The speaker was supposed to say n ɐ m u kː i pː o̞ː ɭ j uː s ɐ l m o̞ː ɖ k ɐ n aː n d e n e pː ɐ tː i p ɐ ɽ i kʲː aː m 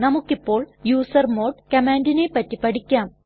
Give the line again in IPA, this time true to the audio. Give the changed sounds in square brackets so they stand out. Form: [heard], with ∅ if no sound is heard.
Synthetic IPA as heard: n ɐ m u kː i pː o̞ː ɭ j uː s ɐ [r] m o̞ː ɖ k ɐ [m] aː n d [i] n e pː ɐ tː i p ɐ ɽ i kʲː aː m